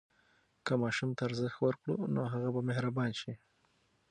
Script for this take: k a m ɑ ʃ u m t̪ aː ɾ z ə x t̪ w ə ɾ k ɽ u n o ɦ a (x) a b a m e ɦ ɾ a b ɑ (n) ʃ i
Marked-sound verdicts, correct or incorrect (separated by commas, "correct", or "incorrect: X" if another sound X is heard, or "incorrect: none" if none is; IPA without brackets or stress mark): incorrect: ɣ, correct